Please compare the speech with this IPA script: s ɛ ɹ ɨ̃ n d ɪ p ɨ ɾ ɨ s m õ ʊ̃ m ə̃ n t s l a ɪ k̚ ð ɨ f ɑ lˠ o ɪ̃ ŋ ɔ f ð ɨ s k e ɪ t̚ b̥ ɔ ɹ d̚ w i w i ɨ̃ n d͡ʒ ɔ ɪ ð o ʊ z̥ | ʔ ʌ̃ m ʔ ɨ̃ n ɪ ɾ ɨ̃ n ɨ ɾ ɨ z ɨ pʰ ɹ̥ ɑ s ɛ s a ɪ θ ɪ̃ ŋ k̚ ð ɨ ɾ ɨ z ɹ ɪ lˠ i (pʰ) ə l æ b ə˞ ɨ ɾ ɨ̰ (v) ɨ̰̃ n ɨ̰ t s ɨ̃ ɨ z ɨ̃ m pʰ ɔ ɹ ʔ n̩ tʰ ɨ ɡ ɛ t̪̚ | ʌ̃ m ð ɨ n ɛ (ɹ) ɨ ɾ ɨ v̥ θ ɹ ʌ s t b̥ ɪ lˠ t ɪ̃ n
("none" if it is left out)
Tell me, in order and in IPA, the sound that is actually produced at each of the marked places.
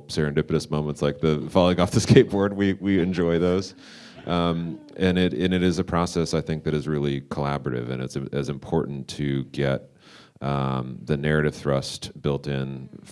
kʰ, v, ɹ

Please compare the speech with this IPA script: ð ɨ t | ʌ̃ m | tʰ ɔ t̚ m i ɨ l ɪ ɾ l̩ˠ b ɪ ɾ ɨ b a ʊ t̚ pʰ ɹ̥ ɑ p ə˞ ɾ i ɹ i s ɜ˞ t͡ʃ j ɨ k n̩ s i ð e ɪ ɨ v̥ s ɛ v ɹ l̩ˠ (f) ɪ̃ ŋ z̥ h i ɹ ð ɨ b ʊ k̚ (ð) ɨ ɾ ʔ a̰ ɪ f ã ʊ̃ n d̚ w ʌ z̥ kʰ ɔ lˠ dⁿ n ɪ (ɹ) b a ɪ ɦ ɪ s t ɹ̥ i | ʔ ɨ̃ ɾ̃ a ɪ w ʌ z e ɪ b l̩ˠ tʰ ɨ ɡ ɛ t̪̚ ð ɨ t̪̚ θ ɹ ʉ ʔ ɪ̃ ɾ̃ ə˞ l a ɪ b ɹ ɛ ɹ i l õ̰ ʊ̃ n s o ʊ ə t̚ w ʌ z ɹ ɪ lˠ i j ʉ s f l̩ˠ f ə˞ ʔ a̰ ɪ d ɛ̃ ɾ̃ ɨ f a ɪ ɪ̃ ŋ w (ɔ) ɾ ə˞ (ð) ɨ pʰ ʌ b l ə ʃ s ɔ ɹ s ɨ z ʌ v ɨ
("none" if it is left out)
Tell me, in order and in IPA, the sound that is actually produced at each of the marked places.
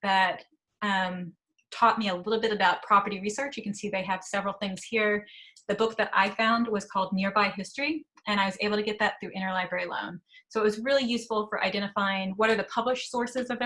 θ, ð, ɹ, ʌ, ð

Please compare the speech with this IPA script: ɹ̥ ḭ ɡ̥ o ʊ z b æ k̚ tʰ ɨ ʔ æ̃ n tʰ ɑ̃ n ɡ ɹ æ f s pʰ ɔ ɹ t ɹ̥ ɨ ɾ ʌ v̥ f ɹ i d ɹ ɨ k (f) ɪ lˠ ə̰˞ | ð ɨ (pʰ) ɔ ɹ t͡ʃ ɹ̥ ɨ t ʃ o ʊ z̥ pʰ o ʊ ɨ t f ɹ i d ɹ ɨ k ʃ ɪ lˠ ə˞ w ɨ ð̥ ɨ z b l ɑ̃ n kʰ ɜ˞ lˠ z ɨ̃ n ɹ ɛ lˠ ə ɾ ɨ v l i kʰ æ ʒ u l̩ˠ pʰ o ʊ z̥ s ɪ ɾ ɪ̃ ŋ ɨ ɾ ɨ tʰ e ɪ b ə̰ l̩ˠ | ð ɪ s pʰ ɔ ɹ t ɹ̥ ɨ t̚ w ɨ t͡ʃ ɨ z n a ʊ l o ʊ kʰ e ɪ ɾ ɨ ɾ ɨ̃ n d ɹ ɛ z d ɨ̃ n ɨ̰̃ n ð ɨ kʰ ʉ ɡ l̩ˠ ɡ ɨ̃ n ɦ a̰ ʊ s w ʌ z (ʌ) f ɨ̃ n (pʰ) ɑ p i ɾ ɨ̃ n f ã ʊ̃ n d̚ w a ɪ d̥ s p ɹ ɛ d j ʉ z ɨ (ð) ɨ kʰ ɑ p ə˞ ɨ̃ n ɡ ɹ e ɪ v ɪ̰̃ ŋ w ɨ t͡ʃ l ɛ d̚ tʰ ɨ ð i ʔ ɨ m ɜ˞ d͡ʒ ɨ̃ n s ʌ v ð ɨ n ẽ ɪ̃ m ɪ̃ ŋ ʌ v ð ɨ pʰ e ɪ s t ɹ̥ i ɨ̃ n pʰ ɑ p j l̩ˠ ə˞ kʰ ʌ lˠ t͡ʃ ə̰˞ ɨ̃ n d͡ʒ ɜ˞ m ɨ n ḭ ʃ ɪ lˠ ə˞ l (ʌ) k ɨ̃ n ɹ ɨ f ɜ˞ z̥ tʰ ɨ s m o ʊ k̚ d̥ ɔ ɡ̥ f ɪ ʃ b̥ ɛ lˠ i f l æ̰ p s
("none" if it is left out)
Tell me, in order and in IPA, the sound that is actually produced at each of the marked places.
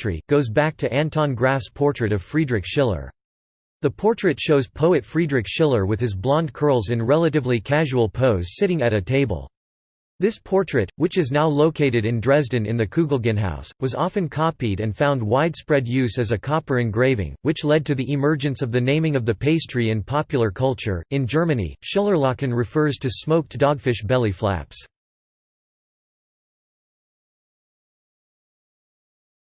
ʃ, pʰ, ɑ, kʰ, z, ɑ

